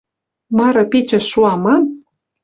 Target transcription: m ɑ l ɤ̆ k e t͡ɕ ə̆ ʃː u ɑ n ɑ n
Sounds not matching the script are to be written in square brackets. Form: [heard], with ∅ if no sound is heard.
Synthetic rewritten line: m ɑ [ɾ] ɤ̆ [p] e t͡ɕ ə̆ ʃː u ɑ [m] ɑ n